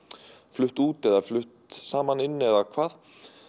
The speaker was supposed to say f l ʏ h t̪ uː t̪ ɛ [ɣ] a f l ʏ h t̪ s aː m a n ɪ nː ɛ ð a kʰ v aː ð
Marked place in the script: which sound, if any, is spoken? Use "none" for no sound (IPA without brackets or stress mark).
ð